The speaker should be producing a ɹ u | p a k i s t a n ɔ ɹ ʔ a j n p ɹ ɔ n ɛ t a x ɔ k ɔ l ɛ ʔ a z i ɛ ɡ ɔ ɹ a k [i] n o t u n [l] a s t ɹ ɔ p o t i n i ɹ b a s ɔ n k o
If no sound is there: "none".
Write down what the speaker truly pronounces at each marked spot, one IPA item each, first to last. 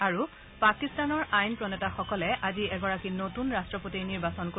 i, ɹ

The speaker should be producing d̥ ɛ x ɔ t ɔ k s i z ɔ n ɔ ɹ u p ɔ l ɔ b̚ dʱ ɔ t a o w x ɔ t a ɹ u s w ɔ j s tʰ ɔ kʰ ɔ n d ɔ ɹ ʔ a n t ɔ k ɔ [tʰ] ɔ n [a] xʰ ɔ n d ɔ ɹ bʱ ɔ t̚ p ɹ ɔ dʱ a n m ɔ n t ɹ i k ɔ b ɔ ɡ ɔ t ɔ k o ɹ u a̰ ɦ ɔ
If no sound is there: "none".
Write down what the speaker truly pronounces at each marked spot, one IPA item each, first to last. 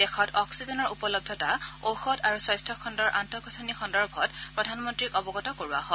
tʰ, i

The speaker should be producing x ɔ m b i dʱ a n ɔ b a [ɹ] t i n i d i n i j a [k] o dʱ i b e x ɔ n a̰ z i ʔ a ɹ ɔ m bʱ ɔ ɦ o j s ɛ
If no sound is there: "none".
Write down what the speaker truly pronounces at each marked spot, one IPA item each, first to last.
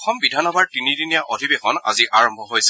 ɹ, ʔ

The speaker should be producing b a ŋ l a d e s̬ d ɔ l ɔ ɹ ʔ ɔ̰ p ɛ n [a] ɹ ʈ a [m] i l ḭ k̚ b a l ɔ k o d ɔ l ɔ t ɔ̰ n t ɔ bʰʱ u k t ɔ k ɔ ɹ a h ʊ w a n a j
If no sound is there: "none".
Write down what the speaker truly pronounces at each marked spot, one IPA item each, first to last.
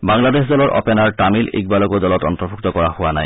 a, m

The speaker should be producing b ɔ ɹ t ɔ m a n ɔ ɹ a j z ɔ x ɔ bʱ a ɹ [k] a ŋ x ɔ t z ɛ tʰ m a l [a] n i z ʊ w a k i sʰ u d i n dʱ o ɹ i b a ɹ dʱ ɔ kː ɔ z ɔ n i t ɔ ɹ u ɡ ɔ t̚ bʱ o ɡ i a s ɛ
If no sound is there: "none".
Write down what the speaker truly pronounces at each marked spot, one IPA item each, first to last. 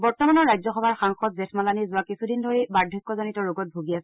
x, a

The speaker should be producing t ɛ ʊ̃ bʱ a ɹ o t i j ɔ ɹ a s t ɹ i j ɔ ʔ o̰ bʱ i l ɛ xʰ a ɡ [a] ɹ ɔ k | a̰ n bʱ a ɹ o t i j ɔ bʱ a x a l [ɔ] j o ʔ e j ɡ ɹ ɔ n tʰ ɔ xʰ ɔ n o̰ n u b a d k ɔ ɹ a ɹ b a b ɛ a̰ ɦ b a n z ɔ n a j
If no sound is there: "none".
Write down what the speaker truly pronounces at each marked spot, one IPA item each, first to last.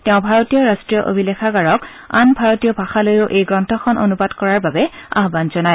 a, o

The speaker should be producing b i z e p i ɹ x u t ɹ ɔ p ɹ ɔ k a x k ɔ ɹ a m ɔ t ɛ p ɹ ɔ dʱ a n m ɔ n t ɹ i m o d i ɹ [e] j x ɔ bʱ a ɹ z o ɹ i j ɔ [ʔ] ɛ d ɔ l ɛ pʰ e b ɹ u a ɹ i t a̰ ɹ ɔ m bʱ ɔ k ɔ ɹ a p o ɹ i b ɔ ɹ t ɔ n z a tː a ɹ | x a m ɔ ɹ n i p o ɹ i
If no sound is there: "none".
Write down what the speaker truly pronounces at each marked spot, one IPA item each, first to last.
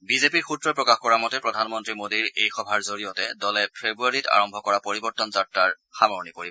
e, t

